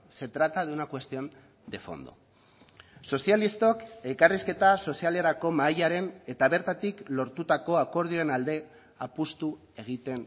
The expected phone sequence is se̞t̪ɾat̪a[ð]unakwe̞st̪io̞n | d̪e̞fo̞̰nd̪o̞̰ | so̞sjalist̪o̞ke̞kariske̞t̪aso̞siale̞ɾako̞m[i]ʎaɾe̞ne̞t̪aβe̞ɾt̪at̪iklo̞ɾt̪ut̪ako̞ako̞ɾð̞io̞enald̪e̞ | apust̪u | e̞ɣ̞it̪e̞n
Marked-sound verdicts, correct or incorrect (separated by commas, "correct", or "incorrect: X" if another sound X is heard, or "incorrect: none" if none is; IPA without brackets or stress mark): correct, incorrect: a